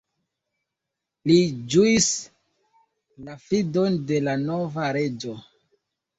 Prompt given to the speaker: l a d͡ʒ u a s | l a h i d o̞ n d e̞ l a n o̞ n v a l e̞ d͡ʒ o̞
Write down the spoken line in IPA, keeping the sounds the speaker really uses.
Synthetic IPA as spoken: l i d͡ʒ u i s | l a f i d o̞ n d e̞ l a n o̞ v a ɾ e̞ d͡ʒ o̞